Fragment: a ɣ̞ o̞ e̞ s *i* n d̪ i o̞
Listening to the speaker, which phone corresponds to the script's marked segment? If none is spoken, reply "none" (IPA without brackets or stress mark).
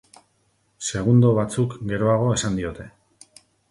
a